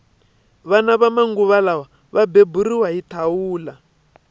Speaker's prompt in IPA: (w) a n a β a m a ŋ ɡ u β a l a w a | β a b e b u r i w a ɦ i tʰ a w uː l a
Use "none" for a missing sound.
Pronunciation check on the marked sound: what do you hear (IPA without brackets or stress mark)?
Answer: β